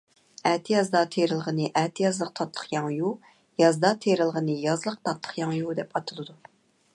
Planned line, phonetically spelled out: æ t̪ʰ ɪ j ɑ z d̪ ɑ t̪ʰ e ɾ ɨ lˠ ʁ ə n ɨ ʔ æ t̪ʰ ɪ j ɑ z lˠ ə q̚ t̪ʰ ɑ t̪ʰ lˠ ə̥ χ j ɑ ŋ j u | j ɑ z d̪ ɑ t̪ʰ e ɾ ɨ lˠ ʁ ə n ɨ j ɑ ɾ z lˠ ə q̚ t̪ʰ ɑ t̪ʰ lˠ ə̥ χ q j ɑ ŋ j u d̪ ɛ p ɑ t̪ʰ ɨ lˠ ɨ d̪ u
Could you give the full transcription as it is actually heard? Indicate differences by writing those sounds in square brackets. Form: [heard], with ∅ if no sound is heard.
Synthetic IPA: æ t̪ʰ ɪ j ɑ z d̪ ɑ t̪ʰ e ɾ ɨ lˠ ʁ ə n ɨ ʔ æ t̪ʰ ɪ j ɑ z lˠ ə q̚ t̪ʰ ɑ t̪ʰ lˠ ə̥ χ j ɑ ŋ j u | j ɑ z d̪ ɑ t̪ʰ e ɾ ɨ lˠ ʁ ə n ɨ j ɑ [∅] z lˠ ə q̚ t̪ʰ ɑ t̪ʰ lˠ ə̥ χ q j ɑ ŋ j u d̪ ɛ p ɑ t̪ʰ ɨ lˠ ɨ d̪ u